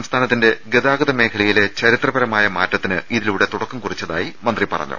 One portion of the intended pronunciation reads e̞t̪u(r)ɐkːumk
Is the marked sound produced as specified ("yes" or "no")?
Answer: no